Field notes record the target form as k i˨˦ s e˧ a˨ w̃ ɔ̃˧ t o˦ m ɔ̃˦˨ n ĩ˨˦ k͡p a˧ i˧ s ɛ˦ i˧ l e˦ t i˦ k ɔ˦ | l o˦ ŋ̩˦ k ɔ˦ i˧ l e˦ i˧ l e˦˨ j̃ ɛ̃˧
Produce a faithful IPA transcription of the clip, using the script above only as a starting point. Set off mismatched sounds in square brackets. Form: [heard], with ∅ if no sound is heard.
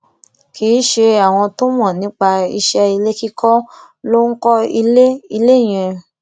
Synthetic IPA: k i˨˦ [ʃ] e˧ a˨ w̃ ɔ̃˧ t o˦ m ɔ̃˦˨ n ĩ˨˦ k͡p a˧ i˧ [ʃ] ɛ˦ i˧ l e˦ [k] i˦ k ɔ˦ | l o˦ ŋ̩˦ k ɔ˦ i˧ l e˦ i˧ l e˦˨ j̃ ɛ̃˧